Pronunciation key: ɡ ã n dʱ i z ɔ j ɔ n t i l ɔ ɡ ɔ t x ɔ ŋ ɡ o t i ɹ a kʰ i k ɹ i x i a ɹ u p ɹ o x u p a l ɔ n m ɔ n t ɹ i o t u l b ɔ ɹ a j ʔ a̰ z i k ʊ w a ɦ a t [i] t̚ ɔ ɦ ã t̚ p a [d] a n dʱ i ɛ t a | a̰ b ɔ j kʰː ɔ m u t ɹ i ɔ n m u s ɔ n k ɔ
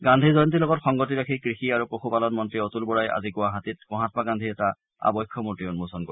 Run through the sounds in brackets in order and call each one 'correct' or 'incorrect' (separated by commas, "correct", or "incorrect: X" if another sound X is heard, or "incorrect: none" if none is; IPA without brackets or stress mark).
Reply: correct, incorrect: ɡ